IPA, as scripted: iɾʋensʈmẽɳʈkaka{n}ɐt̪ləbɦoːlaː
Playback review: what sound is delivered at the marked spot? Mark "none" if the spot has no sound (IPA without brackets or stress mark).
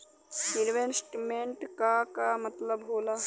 m